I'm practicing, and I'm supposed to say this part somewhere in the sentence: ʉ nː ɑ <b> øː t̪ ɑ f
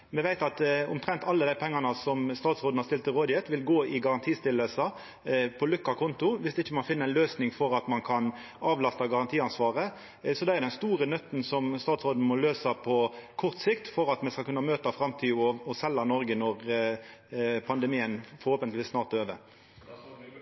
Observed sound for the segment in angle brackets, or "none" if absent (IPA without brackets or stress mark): m